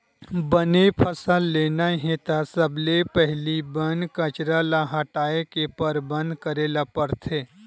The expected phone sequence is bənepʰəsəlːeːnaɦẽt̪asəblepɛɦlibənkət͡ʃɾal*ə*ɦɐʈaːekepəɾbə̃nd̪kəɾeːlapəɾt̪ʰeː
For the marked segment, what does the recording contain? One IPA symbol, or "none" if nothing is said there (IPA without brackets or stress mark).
a